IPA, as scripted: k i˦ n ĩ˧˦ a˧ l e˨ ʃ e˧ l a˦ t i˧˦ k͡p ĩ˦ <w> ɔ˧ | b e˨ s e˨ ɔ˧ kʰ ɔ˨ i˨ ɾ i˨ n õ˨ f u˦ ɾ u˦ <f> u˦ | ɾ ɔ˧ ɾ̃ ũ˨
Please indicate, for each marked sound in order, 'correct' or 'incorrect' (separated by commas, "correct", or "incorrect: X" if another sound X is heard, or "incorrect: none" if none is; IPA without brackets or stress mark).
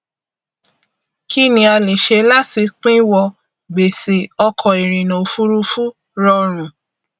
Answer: correct, correct